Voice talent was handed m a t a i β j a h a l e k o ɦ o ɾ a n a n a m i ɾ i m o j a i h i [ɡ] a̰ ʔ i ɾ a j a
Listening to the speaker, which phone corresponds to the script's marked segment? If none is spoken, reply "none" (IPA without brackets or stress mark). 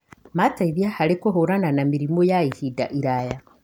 d